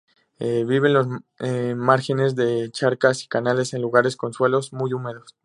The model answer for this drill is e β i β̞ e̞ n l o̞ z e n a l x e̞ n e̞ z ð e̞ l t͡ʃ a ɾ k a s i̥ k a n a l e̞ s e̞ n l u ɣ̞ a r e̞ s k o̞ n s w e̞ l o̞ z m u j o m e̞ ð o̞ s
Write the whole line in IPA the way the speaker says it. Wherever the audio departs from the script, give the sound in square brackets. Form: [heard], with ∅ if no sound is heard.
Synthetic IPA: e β i β̞ e̞ n l o̞ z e [m] a [ɾ] x e̞ n e̞ z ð e̞ [∅] t͡ʃ a ɾ k a s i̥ k a n a l e̞ s e̞ n l u ɣ̞ a [ɾ] e̞ s k o̞ n s w e̞ l o̞ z m u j [u] m e̞ ð o̞ s